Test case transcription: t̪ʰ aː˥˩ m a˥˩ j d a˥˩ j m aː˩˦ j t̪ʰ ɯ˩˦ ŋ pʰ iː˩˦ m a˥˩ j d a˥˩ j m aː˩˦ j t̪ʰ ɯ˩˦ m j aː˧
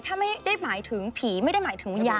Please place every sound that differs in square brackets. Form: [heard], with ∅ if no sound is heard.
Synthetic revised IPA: t̪ʰ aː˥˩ m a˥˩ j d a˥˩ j m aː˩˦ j t̪ʰ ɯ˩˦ ŋ pʰ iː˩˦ m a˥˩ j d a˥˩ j m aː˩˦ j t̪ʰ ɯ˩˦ [ŋ] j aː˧